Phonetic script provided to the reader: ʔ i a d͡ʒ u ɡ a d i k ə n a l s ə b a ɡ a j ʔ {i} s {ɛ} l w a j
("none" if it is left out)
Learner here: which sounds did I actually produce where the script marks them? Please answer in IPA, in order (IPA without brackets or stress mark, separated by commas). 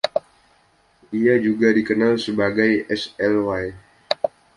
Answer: ɛ, ɛ